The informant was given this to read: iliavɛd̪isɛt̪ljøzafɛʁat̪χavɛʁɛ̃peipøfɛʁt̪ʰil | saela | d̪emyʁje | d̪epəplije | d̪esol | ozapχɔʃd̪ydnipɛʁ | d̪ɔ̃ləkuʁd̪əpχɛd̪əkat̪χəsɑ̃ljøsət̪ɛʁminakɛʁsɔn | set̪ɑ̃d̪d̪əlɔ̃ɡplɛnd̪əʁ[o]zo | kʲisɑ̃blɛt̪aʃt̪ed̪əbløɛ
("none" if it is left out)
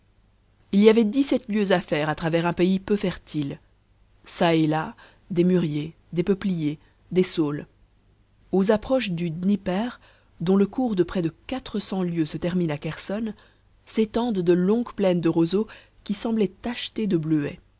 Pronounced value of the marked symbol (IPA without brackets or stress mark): o